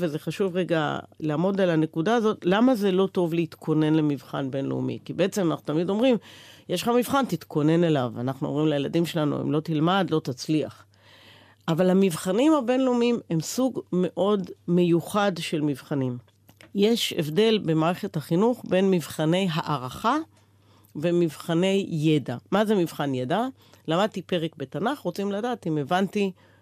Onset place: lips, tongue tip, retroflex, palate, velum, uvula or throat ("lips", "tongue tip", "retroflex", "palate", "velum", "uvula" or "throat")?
lips